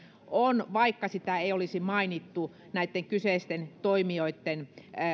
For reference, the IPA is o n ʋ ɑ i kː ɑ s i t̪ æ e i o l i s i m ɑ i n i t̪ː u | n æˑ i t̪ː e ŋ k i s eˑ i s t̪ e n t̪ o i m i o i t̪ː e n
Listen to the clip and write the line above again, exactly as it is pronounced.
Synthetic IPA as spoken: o n ʋ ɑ i kː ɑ s i t̪ æ e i o l i s i m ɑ i n i t̪ː u | n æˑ i t̪ː e ŋ k y s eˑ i s t̪ e n t̪ o i m i o i t̪ː e n